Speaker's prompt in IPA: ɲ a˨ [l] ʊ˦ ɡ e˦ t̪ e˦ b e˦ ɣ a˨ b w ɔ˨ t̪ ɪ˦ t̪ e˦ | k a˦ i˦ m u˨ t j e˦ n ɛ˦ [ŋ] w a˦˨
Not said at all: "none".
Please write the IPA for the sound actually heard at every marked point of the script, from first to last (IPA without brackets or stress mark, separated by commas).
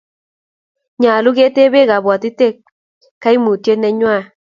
l, ɲ